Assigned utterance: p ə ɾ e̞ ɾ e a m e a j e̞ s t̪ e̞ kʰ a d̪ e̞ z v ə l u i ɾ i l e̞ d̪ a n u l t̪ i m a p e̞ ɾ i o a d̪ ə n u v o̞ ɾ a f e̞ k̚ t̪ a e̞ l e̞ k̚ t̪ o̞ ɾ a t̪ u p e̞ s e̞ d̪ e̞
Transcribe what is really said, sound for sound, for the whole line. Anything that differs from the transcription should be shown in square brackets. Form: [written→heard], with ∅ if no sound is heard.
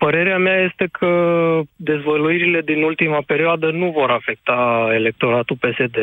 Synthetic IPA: p ə ɾ e̞ ɾ e a m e a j e̞ s t̪ e̞ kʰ [a→ə] d̪ e̞ z v ə l u i ɾ i l e̞ d̪ [a→i] n u l t̪ i m a p e̞ ɾ i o a d̪ ə n u v o̞ ɾ a f e̞ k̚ t̪ a e̞ l e̞ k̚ t̪ o̞ ɾ a t̪ u p e̞ s e̞ d̪ e̞